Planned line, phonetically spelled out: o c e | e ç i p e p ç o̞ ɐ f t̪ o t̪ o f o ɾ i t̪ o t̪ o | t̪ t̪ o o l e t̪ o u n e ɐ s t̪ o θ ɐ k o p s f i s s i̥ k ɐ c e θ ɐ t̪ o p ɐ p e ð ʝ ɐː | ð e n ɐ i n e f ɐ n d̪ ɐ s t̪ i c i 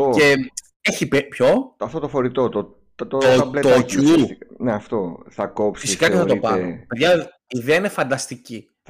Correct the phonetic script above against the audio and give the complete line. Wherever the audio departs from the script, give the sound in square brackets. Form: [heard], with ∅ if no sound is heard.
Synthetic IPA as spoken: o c e | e ç i p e p ç o̞ ɐ f t̪ o t̪ o f o ɾ i t̪ o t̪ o | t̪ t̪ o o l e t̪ o u n e ɐ [f] t̪ o θ ɐ k o p s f i s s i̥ k ɐ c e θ ɐ t̪ o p ɐ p e ð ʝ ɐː | ð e [∅] ɐ i n e f ɐ n d̪ ɐ s t̪ i c i